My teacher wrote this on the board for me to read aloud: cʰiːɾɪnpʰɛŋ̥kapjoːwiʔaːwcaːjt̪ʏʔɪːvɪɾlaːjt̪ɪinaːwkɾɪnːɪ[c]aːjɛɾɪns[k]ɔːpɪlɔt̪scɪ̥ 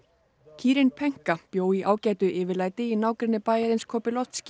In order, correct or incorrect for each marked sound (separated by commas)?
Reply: incorrect, incorrect